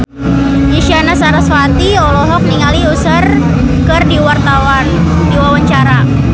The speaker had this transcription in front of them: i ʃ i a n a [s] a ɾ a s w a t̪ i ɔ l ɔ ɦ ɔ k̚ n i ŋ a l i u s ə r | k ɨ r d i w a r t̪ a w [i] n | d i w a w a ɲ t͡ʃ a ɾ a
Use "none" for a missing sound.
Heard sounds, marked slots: s, a

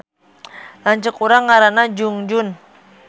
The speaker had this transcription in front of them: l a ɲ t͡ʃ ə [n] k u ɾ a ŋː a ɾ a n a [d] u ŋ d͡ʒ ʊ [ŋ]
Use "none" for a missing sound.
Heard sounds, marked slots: none, d͡ʒ, n

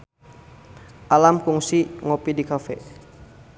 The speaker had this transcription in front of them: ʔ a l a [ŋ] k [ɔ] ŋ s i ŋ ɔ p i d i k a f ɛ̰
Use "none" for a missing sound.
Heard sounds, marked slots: m, u

